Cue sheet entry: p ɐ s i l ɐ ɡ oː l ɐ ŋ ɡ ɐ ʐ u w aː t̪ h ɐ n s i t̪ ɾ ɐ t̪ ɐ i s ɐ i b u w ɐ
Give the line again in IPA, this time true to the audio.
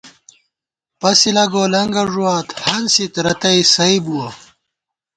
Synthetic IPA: p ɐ s i l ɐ ɡ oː l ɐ ŋ ɡ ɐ ʐ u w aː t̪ h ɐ n s i t̪ ɾ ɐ t̪ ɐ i s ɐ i b u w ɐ